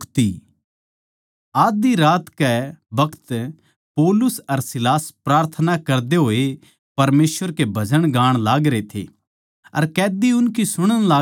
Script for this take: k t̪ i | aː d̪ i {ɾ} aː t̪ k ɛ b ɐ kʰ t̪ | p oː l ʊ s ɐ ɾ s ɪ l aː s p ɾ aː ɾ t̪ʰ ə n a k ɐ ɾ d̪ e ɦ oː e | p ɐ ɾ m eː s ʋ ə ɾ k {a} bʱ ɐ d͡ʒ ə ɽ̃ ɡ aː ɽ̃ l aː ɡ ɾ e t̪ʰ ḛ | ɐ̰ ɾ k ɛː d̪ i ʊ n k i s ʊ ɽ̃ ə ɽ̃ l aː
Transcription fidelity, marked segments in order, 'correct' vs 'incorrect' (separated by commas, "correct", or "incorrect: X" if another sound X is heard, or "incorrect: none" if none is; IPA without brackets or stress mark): correct, incorrect: e